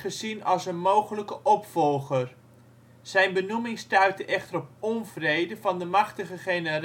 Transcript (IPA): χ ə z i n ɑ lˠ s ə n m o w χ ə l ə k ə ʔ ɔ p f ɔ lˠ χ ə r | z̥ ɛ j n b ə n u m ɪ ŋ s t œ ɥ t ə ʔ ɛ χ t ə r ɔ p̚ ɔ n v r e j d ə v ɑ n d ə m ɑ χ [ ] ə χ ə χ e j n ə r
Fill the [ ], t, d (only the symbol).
t